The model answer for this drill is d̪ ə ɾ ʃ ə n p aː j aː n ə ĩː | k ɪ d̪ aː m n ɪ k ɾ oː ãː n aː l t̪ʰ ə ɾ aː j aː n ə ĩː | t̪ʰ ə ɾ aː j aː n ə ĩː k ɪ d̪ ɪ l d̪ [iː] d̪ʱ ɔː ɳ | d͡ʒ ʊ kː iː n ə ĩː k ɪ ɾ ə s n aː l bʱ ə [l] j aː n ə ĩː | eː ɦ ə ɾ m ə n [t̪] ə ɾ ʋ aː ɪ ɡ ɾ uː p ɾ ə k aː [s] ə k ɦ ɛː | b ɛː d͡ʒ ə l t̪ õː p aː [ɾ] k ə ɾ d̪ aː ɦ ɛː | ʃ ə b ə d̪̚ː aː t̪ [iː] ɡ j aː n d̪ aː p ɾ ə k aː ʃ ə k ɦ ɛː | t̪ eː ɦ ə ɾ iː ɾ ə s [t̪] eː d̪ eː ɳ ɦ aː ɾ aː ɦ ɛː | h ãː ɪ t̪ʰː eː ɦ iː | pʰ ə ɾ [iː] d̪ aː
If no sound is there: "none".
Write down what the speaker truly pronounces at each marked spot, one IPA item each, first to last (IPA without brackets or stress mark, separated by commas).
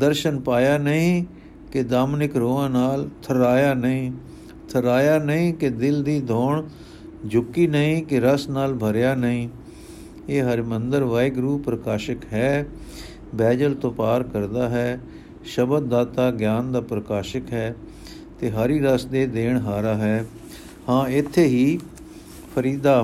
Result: iː, ɾ, d̪, ʃ, ɾ, aː, d̪, iː